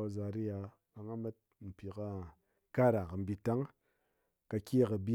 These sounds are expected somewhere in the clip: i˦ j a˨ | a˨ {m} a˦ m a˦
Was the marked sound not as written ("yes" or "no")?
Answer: yes